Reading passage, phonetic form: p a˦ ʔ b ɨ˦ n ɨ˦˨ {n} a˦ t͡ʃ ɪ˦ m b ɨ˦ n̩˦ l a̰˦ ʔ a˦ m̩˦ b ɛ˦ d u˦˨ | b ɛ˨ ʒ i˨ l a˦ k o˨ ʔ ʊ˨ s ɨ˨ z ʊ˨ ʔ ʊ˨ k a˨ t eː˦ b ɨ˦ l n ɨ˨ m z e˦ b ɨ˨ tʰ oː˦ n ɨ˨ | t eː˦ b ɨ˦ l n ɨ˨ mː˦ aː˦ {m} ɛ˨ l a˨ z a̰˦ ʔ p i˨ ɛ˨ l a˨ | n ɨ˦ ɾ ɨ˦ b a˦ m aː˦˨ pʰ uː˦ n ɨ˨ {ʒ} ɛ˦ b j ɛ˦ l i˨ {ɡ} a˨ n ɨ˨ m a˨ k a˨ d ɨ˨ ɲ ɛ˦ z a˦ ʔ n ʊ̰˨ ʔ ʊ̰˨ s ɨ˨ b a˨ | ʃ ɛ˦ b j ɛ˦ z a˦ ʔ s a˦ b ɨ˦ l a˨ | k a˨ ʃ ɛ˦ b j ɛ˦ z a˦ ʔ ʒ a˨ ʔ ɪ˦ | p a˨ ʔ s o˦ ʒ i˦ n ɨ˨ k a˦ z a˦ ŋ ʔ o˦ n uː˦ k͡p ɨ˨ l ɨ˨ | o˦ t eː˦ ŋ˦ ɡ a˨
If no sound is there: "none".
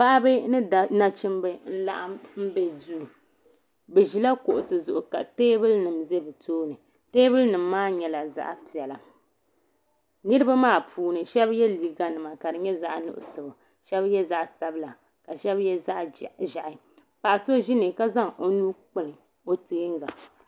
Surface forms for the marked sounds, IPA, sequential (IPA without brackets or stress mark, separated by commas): n, ɲ, ʃ, ɡ